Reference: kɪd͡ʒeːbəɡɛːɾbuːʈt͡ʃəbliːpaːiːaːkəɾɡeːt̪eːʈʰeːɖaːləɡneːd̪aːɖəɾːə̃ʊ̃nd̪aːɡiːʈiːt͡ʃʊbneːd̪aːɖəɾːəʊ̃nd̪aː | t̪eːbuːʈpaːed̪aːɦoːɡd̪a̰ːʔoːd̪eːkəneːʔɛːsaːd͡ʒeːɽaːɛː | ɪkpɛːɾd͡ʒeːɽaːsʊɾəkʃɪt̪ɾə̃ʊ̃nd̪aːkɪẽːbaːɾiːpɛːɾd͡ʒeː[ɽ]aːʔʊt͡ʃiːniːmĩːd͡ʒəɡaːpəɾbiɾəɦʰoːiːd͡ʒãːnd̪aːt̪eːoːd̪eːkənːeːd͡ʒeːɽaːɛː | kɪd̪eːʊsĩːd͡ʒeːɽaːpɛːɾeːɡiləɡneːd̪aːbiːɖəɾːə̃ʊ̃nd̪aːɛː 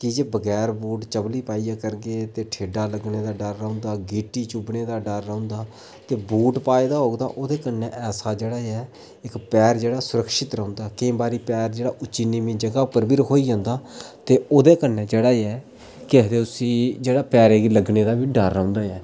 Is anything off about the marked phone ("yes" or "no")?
no